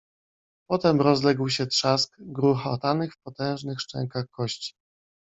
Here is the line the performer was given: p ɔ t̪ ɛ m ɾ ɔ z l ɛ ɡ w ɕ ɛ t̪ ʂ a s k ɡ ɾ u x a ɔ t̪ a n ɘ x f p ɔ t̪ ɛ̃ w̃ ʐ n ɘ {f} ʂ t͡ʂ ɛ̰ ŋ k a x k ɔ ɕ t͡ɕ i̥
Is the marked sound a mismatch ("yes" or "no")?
yes